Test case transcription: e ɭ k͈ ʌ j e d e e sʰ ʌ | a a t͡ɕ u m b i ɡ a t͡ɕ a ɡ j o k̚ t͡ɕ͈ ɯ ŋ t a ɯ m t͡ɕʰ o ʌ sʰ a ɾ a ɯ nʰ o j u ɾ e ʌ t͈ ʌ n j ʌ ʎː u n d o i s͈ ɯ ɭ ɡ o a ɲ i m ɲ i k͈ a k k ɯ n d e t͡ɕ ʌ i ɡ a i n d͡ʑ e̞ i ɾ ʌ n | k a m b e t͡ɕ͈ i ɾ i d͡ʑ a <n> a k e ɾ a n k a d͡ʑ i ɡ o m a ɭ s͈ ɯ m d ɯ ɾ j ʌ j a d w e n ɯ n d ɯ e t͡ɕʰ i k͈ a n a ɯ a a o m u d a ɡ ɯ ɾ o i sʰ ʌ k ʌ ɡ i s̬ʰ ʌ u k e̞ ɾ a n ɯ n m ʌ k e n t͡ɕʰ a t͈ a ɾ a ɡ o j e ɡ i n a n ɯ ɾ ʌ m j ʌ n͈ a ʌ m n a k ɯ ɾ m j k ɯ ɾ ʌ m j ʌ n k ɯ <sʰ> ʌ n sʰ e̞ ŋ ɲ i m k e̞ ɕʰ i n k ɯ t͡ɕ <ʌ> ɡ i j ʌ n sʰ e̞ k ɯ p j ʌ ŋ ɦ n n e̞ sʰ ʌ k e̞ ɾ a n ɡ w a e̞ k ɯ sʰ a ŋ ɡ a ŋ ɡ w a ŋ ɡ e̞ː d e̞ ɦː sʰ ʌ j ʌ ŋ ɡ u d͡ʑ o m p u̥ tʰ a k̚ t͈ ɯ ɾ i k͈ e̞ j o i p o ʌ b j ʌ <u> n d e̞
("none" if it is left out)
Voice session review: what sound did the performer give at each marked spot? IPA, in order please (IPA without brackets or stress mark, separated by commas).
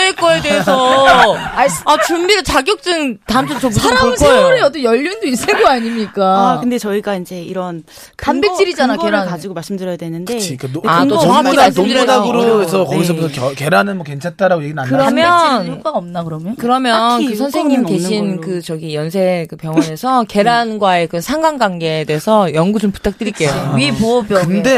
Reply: n, sʰ, ʌ, ɯ